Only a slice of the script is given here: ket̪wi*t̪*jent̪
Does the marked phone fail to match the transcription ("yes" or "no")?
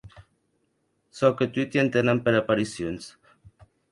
no